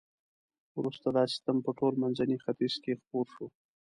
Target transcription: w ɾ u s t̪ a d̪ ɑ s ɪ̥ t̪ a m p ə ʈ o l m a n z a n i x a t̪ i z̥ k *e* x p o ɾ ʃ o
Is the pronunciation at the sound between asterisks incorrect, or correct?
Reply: correct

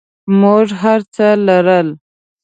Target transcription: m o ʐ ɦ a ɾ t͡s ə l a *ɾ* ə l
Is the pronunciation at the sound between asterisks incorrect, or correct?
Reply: correct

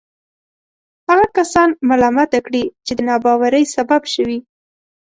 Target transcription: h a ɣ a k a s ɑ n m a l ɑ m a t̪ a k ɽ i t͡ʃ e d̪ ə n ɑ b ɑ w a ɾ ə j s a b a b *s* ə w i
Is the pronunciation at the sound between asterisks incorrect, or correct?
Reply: incorrect: ʃ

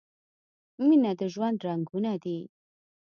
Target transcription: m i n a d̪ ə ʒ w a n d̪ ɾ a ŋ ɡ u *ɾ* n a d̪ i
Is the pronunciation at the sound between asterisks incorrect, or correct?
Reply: incorrect: none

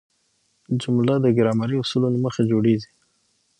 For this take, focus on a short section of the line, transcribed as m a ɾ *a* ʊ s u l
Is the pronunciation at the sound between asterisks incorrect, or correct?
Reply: incorrect: i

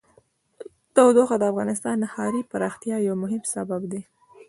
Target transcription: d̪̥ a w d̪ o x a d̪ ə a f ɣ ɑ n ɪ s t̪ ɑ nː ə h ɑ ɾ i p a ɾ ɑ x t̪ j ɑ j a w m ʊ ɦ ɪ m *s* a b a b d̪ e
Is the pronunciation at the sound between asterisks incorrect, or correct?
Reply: correct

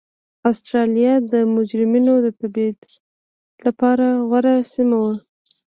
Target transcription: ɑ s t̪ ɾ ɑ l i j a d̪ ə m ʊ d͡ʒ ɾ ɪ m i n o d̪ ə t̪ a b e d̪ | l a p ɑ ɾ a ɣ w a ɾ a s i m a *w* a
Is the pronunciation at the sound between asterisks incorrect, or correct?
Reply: correct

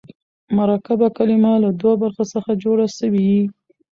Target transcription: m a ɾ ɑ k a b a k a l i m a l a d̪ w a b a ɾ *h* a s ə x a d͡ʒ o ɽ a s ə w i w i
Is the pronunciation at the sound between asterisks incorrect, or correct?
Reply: incorrect: x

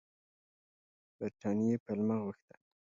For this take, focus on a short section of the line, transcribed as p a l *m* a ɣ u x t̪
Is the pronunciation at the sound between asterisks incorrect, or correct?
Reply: correct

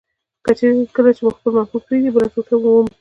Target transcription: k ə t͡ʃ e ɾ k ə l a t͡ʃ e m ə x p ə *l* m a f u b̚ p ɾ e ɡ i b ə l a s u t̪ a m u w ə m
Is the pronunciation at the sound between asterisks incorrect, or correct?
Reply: correct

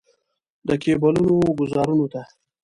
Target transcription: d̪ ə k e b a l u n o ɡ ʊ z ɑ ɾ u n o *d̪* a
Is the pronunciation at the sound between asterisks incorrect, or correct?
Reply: incorrect: t̪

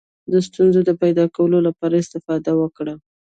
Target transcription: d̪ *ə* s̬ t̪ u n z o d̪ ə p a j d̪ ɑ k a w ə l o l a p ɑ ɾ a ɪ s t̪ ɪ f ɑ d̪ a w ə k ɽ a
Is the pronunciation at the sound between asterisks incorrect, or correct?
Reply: correct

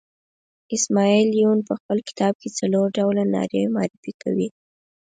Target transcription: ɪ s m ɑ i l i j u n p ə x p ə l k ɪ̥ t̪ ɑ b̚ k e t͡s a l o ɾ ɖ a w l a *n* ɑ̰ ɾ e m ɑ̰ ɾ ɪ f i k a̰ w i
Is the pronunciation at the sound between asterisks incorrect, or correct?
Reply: correct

